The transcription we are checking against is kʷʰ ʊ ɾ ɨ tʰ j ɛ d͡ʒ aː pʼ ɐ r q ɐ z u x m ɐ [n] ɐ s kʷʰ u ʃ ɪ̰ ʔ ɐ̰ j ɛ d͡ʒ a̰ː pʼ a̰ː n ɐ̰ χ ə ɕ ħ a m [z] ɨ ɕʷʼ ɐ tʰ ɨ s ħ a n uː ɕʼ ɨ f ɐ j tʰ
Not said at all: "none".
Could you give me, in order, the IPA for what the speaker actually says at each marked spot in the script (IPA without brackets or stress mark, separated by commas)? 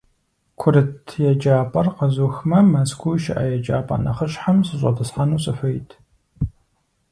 m, s